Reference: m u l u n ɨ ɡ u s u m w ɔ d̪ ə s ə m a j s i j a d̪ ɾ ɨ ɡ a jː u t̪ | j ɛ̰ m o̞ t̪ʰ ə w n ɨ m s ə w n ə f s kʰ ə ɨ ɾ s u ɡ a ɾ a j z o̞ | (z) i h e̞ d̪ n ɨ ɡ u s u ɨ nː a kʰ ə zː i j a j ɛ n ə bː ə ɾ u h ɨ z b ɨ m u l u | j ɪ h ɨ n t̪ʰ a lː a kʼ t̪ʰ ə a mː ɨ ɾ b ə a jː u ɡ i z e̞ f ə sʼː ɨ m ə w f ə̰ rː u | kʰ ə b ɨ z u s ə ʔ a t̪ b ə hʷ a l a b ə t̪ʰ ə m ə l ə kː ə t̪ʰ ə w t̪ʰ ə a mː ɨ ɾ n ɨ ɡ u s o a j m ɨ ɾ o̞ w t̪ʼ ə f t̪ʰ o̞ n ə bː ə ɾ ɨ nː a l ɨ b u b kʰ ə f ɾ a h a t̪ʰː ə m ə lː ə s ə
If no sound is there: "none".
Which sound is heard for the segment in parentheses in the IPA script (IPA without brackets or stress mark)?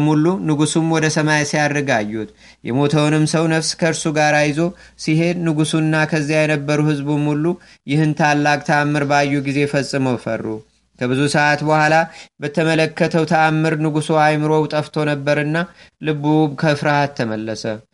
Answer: s